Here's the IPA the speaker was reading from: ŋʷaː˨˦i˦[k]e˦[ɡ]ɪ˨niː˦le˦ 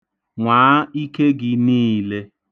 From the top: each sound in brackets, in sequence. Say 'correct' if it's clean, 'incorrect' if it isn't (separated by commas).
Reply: correct, correct